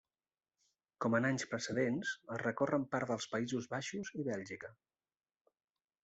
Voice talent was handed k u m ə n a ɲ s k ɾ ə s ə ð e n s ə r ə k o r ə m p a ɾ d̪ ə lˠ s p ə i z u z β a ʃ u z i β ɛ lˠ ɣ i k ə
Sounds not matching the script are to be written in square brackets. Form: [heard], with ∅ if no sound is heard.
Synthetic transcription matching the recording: k [ɔ] m ə n a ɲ s [p] ɾ ə s ə ð e n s ə r ə k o r ə m p a ɾ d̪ ə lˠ s p ə i z u z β a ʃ u z i β ɛ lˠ [ʒ] i k ə